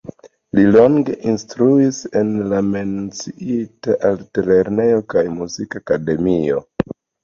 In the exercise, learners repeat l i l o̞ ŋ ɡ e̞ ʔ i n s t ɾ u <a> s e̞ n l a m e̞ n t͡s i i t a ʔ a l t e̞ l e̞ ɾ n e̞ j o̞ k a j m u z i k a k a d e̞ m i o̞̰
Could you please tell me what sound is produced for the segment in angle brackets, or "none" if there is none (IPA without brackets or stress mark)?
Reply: i